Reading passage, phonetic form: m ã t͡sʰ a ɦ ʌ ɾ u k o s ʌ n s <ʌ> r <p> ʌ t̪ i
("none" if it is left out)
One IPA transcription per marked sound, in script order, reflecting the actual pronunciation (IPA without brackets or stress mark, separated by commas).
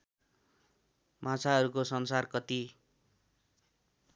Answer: a, k